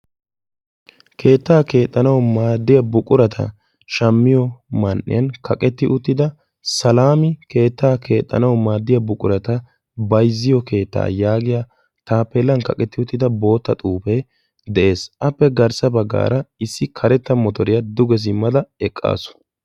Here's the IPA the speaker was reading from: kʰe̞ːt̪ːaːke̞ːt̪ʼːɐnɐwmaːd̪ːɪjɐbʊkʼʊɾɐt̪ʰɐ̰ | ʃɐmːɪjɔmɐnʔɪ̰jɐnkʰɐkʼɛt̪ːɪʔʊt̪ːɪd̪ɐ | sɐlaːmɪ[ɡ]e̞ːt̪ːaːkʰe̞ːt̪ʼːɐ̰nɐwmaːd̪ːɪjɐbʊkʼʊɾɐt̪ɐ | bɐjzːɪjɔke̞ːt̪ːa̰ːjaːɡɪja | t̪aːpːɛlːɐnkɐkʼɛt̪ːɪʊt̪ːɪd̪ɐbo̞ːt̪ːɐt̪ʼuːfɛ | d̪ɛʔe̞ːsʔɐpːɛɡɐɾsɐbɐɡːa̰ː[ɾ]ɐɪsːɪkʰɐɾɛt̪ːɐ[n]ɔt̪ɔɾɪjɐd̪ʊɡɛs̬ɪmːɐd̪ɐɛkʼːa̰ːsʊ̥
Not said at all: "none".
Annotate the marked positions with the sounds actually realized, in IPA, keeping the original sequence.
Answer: k, ɾ, m

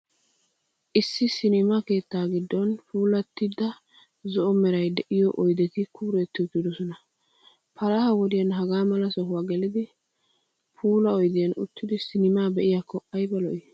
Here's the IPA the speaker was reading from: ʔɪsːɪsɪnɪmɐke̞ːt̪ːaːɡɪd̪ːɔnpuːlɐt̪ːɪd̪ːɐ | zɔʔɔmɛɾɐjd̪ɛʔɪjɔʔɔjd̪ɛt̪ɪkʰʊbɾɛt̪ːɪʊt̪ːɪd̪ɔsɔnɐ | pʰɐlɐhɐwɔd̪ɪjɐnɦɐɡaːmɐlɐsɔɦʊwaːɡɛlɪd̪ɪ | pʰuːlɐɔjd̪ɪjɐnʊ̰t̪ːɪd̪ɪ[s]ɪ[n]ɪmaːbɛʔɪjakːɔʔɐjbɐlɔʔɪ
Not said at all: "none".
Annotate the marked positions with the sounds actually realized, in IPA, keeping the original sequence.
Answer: s, n

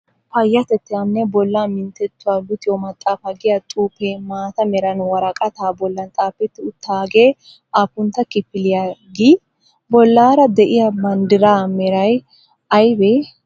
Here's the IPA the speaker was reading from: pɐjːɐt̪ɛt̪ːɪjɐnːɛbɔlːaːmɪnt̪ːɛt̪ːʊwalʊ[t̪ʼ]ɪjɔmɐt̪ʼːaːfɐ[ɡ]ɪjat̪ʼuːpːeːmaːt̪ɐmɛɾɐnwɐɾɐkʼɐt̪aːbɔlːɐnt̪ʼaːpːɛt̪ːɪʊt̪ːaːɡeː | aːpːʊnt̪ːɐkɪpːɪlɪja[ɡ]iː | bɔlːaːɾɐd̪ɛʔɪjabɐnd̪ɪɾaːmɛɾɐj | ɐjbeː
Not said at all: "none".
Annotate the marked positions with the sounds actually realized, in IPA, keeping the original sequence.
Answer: t̪, ɡ, ɡ

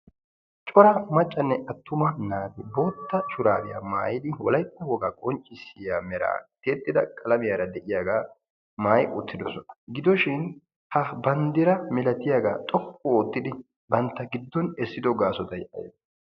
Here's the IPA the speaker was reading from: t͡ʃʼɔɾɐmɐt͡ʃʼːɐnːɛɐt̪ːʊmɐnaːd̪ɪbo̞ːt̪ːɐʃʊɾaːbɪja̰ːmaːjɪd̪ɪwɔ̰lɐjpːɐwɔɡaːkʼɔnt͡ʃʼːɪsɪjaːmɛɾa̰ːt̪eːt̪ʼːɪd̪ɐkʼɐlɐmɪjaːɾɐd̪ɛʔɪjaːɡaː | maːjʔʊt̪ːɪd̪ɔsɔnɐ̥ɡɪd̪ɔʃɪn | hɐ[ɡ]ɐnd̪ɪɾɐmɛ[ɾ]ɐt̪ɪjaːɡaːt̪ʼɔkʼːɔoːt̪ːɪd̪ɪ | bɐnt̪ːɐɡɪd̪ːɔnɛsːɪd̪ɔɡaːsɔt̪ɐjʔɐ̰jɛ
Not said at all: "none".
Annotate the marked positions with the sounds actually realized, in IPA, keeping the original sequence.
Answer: b, l

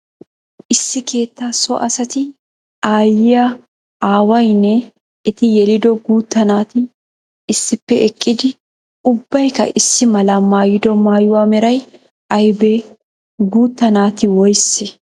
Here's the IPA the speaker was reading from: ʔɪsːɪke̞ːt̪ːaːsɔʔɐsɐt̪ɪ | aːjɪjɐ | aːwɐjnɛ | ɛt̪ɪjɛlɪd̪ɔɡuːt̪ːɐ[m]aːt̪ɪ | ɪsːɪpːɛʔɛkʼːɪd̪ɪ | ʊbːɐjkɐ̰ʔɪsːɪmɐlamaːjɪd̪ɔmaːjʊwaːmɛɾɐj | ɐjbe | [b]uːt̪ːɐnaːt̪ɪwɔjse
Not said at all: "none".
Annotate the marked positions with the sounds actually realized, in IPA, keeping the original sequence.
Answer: n, ɡ

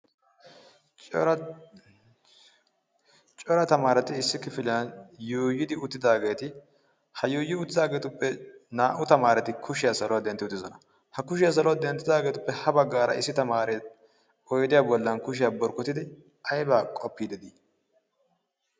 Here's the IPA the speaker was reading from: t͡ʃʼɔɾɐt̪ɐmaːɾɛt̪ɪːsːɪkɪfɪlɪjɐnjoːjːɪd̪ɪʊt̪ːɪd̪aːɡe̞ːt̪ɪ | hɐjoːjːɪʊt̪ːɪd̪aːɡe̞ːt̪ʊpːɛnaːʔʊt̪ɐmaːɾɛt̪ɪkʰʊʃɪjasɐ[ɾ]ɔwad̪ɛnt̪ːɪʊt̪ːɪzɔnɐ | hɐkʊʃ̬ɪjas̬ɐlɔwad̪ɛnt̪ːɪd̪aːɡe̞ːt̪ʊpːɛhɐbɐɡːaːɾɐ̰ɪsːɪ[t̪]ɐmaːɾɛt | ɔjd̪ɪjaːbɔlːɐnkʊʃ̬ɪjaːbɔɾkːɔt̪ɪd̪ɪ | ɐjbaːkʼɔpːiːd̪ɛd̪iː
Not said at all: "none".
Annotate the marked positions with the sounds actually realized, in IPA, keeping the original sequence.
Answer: l, t̪

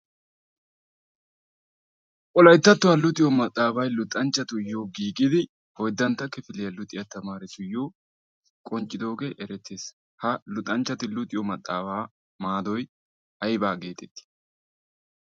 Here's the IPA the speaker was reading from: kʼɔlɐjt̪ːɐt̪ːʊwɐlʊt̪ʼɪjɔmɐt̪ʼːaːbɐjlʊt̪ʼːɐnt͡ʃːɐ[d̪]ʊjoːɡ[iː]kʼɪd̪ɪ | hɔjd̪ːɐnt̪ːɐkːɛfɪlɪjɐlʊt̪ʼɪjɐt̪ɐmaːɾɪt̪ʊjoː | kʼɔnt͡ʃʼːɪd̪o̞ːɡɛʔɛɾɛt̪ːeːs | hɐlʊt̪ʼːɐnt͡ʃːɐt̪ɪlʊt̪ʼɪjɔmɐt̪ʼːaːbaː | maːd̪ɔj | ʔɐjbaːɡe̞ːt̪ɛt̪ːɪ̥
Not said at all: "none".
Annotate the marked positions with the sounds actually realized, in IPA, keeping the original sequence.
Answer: t̪, iː

